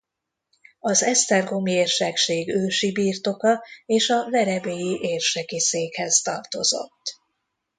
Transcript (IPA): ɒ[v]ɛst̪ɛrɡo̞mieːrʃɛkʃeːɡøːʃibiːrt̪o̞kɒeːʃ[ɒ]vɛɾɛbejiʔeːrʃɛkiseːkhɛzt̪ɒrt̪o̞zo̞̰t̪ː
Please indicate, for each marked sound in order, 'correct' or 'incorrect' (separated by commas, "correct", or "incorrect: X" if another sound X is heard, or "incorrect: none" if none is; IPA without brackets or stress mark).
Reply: incorrect: z, correct